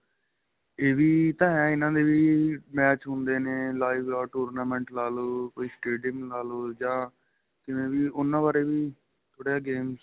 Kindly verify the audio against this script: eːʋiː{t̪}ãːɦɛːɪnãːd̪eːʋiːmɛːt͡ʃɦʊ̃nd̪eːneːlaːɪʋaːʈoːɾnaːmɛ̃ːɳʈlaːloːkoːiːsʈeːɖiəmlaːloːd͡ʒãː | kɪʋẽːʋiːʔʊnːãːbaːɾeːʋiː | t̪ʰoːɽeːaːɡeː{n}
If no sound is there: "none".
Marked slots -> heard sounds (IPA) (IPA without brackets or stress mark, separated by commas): t̪, m